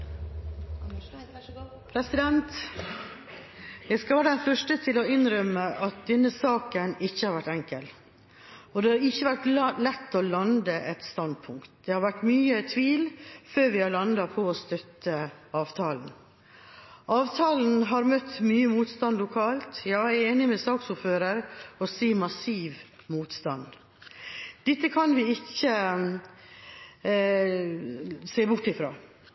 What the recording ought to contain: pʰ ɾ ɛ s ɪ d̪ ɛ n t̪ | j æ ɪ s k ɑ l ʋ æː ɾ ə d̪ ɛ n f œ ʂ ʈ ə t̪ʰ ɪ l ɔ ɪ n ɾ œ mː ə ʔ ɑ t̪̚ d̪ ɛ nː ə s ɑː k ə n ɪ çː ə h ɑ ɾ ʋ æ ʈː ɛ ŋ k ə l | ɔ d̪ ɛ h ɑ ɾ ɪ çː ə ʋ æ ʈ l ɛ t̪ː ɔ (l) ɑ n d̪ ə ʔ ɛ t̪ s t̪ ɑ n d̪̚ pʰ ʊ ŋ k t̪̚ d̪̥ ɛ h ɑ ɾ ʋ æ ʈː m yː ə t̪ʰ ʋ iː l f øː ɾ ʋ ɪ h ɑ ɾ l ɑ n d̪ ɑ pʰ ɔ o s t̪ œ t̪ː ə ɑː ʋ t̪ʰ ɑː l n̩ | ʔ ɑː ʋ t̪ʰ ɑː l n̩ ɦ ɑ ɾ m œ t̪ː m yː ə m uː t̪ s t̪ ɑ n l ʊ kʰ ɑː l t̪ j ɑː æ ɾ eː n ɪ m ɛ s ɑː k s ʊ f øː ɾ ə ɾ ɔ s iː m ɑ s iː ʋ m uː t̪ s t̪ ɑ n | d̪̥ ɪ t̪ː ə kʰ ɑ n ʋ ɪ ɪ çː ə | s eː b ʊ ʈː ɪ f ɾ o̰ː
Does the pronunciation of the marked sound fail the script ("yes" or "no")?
no